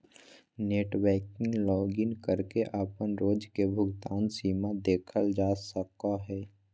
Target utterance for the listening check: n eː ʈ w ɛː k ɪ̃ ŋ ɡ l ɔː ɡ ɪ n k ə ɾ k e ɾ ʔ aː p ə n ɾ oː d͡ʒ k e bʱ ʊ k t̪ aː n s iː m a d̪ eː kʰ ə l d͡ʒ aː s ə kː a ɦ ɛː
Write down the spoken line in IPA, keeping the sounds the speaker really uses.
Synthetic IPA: n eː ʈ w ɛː k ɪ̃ ŋ ɡ l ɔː ɡ ɪ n k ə ɾ k e ʔ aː p ə n ɾ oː d͡ʒ k e bʱ ʊ ɡ t̪ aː n s iː m a d̪ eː kʰ ə l d͡ʒ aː s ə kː a ɦ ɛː